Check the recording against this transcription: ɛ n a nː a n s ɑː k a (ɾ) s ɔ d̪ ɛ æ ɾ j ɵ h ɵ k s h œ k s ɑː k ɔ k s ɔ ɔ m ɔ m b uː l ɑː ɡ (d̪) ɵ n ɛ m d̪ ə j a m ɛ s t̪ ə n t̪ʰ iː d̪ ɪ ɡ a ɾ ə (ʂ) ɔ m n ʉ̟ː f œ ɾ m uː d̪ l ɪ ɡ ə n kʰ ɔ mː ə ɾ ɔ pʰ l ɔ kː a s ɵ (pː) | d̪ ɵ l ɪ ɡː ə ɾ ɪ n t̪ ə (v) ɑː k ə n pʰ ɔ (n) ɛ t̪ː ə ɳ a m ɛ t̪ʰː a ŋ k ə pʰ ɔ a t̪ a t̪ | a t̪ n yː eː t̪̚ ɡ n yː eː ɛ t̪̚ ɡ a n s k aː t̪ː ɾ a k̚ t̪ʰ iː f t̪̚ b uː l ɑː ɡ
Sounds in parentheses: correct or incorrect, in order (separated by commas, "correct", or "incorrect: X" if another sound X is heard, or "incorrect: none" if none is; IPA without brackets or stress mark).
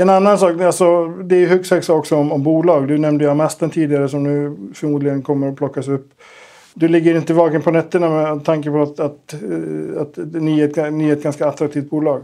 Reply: incorrect: l, correct, incorrect: s, correct, correct, correct